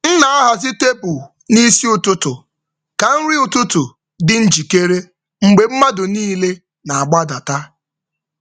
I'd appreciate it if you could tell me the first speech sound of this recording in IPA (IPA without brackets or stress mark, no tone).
n̩